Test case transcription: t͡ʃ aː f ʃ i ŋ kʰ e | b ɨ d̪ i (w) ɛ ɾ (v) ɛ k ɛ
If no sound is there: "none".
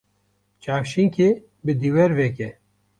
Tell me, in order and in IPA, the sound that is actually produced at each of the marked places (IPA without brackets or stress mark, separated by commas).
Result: w, v